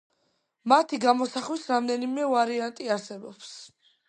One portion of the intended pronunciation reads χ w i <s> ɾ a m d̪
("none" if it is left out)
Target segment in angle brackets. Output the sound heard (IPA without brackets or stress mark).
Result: s